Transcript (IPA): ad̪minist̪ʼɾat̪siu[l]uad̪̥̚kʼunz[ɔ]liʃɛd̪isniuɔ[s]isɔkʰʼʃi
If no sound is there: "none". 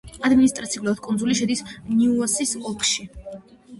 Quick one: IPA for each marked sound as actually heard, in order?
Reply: l, u, s

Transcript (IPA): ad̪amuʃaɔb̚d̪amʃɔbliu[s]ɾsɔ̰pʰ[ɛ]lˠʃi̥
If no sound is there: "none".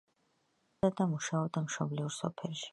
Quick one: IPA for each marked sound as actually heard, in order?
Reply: none, ɛ

